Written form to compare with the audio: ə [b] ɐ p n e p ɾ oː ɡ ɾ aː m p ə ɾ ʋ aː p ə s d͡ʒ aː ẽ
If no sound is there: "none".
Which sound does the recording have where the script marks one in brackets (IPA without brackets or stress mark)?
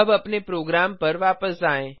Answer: b